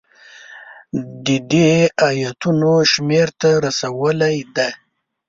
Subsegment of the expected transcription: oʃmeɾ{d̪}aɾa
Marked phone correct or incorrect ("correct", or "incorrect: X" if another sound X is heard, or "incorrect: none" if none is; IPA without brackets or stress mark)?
incorrect: t̪